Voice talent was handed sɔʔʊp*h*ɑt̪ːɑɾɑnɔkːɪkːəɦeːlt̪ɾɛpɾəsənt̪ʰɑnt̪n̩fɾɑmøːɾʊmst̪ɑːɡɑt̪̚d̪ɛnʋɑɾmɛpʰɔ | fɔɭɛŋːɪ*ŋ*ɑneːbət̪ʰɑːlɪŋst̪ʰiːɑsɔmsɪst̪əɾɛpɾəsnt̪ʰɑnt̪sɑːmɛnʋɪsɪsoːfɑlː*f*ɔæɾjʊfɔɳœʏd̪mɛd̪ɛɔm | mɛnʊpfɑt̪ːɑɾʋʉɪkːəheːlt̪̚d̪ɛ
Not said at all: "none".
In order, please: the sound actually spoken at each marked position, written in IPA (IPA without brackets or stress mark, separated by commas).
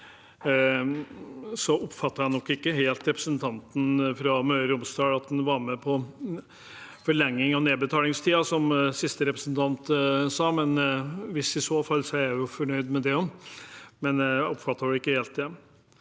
f, ŋ, s